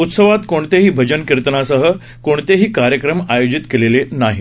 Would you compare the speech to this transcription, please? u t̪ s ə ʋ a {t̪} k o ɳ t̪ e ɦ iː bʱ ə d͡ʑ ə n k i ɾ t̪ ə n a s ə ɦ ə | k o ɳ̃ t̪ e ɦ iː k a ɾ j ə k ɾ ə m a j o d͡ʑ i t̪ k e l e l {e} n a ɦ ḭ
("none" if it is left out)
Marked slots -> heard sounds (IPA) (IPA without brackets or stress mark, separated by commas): t̪, e